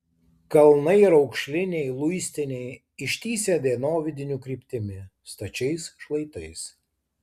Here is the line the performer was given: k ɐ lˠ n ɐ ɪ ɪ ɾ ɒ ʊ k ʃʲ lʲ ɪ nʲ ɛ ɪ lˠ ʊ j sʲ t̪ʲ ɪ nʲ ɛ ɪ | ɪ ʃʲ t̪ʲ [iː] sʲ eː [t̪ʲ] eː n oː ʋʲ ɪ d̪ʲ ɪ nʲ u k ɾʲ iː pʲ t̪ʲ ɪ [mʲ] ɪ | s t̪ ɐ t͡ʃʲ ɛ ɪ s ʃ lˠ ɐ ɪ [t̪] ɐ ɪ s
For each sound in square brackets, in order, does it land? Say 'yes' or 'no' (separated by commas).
yes, no, yes, yes